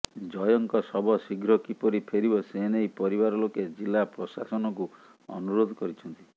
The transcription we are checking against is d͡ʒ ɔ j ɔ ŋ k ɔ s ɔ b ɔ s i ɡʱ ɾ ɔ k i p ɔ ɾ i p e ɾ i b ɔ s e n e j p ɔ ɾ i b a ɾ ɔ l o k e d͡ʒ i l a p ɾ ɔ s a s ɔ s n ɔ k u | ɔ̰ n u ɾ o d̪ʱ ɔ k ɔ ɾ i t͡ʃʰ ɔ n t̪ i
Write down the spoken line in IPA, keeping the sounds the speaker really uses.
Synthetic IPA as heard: d͡ʒ ɔ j ɔ ŋ k ɔ s ɔ b ɔ s i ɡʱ ɾ ɔ k i p ɔ ɾ i pʰ e ɾ i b ɔ s e n e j p ɔ ɾ i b a ɾ ɔ l o k e d͡ʒ i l a p ɾ ɔ s a s ɔ n ɔ k u | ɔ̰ n u ɾ o d̪ʱ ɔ k ɔ ɾ i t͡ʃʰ ɔ n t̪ i